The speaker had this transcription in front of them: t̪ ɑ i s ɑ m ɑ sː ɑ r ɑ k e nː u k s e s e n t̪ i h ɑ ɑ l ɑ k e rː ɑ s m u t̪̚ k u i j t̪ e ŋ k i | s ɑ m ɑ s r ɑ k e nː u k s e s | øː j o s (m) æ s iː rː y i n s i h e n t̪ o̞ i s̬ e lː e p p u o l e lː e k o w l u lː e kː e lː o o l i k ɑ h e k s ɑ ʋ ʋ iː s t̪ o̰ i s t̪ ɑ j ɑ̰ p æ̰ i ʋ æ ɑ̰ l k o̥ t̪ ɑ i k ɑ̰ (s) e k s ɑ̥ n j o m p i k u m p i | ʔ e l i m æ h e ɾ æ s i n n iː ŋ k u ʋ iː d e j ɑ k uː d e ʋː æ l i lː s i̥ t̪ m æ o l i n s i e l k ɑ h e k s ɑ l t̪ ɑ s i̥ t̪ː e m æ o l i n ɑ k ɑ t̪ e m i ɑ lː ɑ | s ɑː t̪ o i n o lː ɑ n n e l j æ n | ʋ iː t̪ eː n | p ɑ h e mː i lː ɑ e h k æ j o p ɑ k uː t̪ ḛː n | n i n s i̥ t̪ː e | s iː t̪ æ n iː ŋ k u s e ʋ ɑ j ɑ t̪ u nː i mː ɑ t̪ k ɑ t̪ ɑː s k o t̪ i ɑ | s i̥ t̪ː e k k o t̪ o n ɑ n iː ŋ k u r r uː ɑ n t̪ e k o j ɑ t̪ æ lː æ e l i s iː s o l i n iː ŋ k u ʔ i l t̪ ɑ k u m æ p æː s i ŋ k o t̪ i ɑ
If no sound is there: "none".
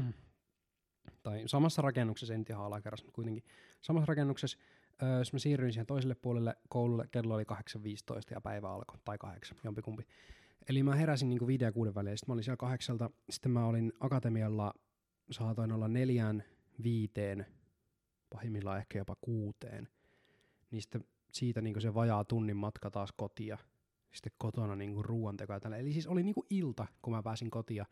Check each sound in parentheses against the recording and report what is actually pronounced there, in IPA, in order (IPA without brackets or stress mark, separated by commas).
m, h